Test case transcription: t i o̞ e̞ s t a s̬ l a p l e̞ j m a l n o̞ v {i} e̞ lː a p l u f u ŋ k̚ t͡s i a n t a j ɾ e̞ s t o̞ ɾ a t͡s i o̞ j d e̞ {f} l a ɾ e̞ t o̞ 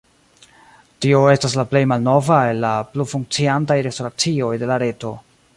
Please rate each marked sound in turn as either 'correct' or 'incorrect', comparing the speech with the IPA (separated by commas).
incorrect, incorrect